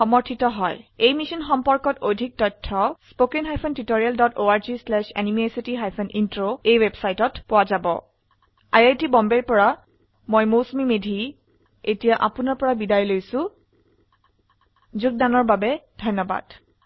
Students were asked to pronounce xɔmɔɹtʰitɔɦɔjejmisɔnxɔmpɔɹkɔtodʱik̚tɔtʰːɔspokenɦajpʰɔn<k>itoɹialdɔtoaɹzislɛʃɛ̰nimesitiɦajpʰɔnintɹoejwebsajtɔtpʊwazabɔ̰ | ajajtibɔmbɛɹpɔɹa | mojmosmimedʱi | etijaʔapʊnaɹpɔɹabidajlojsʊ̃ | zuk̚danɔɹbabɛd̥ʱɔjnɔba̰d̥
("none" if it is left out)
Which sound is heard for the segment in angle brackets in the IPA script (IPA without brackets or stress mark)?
t